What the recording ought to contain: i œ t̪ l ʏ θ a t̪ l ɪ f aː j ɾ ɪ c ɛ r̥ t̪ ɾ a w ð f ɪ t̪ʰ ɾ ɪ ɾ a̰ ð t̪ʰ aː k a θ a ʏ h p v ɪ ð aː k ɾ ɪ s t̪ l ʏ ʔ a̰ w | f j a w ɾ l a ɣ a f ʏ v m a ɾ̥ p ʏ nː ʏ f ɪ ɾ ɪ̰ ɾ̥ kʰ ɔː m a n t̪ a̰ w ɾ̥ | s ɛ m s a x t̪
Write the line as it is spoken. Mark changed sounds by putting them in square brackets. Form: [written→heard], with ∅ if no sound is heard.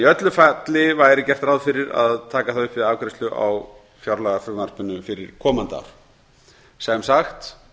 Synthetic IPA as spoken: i œ t̪ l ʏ [θ→f] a t̪ l ɪ [f→v] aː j ɾ ɪ c ɛ r̥ t̪ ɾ a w ð f ɪ [t̪ʰ→∅] ɾ ɪ ɾ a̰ ð t̪ʰ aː k a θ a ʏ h p v ɪ ð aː k ɾ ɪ s t̪ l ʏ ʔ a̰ w | f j a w ɾ l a ɣ a f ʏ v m a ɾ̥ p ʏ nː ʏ f ɪ ɾ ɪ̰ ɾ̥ kʰ ɔː m a n t̪ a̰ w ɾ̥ | s ɛ m s a x t̪